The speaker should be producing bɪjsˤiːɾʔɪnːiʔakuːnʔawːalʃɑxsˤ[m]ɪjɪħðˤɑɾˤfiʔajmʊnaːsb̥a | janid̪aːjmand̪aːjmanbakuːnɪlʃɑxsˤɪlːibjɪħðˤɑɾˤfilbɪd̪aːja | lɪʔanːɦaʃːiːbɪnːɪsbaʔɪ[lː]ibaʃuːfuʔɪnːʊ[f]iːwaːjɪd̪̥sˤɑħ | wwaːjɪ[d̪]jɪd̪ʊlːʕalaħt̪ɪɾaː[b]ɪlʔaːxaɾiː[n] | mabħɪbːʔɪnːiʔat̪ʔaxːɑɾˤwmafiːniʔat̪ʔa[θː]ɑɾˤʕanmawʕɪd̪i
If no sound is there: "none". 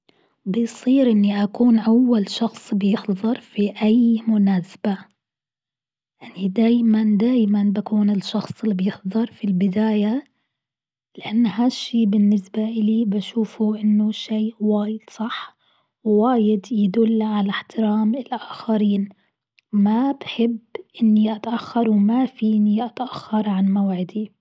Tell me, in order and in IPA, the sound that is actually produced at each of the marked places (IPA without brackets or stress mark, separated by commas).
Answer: b, l, ʃ, d̪, m, n, xː